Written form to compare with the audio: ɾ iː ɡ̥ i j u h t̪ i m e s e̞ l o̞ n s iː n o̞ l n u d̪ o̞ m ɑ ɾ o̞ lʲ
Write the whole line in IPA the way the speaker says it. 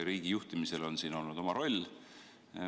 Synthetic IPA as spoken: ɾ iː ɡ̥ i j u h t̪ i m i s e̞ l o̞ n s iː n o̞ l n u d̪ o̞ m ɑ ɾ o̞ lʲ